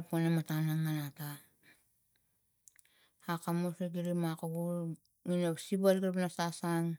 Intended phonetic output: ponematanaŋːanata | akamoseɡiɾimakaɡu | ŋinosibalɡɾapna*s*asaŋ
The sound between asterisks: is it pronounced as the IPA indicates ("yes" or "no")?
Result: yes